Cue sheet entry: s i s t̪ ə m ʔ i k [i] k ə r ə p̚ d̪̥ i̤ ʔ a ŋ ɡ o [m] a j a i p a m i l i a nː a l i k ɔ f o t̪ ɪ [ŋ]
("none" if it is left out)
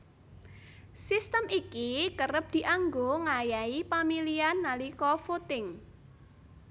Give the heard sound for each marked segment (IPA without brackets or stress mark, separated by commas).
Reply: i, ŋ, ŋ